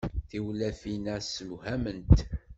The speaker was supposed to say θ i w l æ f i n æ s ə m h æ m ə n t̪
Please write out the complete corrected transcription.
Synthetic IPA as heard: θ i w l æ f i n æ s ə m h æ m ə n t̪